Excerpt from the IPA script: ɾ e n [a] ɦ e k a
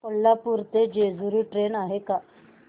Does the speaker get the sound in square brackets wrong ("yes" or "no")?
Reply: no